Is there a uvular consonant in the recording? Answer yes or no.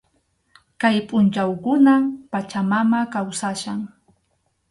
no